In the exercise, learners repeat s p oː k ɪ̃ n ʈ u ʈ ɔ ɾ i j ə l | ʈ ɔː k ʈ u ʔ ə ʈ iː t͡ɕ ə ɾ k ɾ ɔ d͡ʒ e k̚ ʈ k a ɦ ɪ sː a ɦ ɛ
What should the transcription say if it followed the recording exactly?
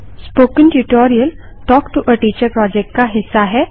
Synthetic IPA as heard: s p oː k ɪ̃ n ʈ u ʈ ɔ ɾ i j ə l | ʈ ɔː k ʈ u ʔ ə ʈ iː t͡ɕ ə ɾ p ɾ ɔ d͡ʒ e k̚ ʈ k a ɦ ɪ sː a ɦ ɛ